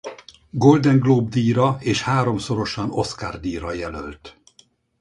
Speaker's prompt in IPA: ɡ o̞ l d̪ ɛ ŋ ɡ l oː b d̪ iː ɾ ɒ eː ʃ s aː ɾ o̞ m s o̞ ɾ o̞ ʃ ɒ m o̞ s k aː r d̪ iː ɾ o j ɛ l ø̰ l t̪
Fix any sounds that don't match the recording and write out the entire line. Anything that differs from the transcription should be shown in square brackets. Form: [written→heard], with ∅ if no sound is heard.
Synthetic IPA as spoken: ɡ o̞ l d̪ ɛ ŋ ɡ l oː b d̪ iː ɾ ɒ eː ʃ [s→h] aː ɾ o̞ m s o̞ ɾ o̞ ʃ ɒ [m→n] o̞ s k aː r d̪ iː ɾ [o→ɒ] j ɛ l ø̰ l t̪